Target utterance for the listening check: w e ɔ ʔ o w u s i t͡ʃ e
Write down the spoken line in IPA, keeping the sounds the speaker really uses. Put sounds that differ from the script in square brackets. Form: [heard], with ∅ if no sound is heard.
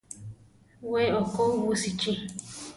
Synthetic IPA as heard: w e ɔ [k] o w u s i t͡ʃ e